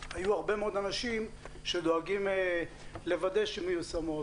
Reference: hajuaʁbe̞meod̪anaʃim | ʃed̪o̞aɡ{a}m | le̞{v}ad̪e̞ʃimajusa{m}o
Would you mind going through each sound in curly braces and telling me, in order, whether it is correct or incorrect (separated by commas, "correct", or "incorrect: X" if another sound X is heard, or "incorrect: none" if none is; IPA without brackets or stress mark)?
incorrect: i, correct, correct